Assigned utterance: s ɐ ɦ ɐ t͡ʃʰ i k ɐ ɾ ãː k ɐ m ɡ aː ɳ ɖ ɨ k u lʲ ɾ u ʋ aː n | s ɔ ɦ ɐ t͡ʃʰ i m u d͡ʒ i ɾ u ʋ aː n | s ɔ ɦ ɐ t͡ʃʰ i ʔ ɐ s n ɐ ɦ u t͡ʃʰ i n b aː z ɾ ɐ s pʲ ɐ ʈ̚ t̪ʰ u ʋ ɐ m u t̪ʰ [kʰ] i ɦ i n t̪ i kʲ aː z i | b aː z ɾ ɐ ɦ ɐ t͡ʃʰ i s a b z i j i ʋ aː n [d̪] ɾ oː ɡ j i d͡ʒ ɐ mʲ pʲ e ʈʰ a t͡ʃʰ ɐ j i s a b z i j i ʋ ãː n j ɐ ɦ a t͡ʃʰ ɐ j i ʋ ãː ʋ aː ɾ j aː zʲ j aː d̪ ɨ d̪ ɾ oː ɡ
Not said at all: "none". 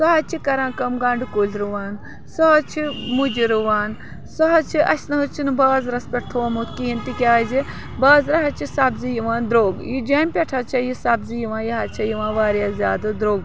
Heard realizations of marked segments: k, d̪

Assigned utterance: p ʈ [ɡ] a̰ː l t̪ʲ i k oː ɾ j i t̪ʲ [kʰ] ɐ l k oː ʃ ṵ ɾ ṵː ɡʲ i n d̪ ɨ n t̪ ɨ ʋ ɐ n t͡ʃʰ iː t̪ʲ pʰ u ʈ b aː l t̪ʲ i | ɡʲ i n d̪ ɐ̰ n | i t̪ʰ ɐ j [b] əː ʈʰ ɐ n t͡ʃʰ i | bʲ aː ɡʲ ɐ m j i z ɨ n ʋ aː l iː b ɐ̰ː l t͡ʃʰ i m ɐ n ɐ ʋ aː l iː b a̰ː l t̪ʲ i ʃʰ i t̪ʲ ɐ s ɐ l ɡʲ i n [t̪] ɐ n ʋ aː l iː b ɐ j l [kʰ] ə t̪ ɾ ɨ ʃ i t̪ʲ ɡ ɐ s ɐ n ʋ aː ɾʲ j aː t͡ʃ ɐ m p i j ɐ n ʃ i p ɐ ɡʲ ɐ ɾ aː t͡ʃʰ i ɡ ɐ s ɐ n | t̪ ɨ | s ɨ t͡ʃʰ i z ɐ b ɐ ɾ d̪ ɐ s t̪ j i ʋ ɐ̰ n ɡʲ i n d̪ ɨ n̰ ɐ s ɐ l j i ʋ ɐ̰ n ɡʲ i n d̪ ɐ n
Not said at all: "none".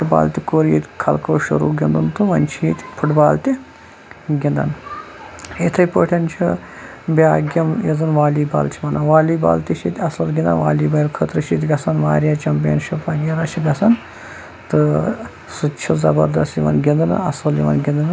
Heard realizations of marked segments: b, kʰ, p, d̪, kʰ

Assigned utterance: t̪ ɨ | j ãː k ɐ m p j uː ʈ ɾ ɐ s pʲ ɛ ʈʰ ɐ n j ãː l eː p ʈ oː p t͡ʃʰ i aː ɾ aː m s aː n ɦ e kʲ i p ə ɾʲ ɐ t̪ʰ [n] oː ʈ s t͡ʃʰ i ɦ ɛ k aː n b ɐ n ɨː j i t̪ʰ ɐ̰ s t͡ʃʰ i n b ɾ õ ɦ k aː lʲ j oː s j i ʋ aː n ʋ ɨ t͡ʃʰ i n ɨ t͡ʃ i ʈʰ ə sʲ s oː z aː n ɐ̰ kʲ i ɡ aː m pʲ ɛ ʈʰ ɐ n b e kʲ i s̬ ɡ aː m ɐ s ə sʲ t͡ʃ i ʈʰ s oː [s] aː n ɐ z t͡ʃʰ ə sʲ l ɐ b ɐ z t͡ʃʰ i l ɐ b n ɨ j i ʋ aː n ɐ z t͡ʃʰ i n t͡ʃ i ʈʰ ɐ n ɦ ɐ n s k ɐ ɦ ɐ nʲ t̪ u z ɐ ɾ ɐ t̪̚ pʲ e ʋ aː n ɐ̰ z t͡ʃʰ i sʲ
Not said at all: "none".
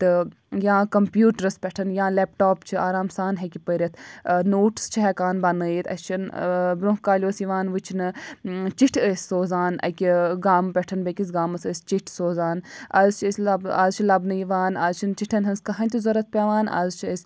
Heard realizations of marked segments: n, z

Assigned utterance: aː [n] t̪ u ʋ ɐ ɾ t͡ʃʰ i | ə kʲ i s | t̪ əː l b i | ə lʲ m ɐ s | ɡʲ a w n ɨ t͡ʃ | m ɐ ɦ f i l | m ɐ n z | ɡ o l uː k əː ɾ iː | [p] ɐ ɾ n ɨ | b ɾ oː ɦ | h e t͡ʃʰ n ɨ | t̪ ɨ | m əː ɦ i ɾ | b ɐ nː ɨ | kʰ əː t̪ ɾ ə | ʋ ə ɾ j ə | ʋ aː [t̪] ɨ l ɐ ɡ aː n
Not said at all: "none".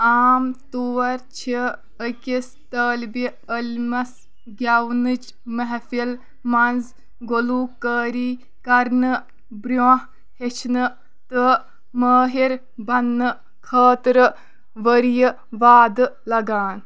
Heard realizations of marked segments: m, k, d̪

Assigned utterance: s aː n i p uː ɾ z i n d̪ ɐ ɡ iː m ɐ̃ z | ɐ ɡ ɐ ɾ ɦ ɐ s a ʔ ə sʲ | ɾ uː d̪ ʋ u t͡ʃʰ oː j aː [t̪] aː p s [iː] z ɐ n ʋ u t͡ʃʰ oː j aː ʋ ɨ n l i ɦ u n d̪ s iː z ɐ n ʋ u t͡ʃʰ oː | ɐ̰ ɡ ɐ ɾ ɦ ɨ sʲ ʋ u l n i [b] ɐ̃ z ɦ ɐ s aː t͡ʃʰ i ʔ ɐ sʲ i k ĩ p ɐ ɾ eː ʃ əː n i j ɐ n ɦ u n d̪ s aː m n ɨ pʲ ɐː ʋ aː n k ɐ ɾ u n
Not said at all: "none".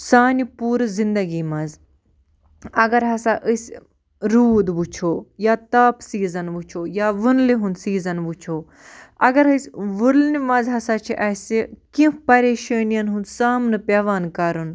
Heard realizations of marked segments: t̪, iː, m

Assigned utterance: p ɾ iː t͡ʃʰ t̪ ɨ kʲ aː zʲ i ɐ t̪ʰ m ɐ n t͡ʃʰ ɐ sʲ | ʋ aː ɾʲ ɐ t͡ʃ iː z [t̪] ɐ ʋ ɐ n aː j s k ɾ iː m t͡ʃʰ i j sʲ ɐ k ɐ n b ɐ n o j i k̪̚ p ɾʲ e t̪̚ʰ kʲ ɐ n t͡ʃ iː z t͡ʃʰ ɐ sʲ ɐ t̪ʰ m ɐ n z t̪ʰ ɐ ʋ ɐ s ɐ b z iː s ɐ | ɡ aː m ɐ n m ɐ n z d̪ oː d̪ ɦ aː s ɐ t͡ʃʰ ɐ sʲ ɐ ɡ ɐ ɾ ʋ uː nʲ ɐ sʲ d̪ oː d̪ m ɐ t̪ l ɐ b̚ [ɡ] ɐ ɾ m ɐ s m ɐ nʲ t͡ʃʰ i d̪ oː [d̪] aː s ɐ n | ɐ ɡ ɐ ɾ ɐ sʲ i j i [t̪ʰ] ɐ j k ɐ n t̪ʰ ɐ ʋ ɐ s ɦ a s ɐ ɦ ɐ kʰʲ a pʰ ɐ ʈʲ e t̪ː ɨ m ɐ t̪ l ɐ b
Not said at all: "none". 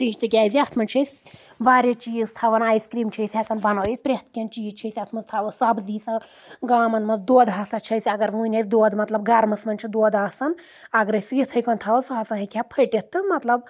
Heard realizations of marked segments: t̪ʰ, ɡ, d̪, t̪ʰ

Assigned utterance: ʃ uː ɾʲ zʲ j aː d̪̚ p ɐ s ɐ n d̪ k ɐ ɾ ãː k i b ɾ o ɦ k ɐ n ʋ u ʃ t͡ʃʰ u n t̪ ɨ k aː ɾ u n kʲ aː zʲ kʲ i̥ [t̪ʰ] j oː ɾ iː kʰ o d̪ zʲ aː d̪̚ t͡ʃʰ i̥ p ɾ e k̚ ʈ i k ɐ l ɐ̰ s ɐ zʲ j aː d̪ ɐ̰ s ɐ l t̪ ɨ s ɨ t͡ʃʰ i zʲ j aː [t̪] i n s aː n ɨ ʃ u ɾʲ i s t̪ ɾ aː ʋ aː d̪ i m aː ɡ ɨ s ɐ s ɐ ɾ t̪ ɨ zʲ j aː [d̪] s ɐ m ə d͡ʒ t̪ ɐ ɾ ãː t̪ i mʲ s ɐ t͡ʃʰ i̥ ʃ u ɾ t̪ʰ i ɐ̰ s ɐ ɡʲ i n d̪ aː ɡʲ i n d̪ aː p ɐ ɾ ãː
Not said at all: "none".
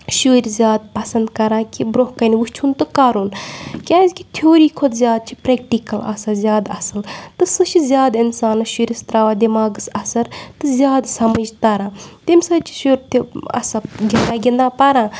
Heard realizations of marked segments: t̪ʰ, d̪, d̪

